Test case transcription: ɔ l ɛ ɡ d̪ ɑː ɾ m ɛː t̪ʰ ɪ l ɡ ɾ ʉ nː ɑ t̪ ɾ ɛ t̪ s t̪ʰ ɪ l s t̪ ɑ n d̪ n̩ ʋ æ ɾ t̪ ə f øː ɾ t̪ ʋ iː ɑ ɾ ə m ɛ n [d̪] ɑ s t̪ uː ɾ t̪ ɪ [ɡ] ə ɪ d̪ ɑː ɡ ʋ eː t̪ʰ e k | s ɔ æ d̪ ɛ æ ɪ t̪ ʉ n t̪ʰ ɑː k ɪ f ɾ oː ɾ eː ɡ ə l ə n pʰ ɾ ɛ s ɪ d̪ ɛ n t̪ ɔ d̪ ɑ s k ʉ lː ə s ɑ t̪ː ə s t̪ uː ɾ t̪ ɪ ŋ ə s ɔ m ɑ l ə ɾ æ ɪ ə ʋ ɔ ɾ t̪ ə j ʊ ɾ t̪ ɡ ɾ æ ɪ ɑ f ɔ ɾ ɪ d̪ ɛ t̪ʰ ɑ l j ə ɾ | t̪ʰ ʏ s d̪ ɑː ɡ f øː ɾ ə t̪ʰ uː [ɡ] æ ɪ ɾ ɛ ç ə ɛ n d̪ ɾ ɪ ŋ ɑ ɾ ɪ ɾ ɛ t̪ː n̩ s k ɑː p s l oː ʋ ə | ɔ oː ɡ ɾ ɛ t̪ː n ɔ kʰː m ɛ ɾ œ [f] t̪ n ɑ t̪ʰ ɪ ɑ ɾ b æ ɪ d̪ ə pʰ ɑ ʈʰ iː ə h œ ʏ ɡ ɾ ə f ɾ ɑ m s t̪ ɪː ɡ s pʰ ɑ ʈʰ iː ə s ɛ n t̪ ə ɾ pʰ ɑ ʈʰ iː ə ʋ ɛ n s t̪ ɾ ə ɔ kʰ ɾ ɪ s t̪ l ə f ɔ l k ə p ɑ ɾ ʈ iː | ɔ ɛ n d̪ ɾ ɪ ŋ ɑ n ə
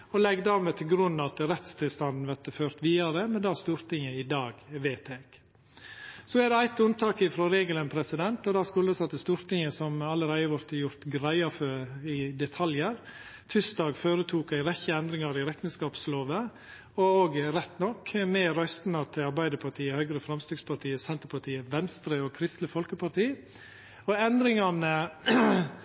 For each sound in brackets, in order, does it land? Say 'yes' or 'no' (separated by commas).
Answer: yes, no, no, no